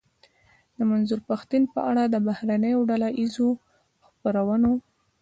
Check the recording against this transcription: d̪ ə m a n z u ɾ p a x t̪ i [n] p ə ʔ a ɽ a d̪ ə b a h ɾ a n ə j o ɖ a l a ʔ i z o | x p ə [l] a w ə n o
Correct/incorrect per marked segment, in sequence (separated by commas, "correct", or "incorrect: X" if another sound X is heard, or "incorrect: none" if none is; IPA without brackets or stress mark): correct, incorrect: ɾ